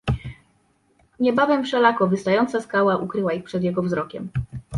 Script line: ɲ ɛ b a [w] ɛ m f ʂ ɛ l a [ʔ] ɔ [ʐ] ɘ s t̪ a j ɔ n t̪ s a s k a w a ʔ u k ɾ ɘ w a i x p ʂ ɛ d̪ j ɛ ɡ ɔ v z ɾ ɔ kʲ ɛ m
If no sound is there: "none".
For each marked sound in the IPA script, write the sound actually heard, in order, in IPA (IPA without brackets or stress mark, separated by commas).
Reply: v, k, v